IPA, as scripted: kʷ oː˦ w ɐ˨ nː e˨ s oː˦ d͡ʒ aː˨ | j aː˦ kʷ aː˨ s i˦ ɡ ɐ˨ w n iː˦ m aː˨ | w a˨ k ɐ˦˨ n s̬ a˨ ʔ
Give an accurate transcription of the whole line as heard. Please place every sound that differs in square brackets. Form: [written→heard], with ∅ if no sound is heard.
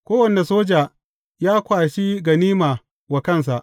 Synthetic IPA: kʷ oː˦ w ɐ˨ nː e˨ s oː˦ d͡ʒ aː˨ | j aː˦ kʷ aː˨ [s→ʃ] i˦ ɡ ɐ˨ [w→∅] n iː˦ m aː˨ | w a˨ k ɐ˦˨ n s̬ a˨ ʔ